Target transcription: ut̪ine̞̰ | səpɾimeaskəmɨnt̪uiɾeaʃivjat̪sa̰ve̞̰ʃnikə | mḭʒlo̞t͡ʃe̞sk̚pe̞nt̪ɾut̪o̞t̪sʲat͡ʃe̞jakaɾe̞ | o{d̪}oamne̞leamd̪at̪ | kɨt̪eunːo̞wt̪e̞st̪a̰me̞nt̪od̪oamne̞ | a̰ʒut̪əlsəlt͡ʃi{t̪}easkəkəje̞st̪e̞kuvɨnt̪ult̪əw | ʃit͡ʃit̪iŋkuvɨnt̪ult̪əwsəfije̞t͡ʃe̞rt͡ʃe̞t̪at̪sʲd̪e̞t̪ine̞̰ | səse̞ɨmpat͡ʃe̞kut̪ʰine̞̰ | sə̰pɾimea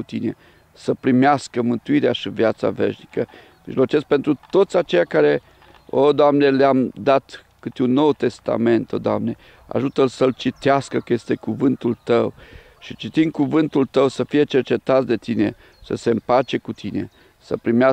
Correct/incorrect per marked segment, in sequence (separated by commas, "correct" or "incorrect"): correct, correct